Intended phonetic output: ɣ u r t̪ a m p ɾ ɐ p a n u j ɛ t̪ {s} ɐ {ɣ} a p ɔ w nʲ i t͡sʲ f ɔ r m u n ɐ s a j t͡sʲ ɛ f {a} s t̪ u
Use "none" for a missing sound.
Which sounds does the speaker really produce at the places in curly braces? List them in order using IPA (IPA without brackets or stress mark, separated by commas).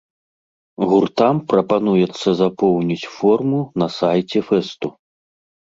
sː, z, ɛ